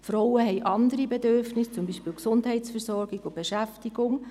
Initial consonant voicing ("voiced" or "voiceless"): voiceless